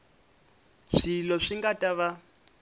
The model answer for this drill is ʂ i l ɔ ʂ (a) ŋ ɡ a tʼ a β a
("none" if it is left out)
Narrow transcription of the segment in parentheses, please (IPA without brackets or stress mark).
i